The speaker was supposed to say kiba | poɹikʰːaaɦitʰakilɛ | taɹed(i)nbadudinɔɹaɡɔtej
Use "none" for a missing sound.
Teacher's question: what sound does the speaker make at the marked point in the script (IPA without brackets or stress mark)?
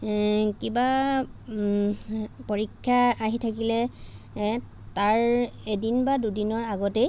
i